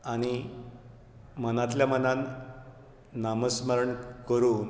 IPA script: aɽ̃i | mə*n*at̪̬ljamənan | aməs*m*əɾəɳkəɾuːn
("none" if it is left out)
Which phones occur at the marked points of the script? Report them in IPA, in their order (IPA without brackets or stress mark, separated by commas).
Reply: n, m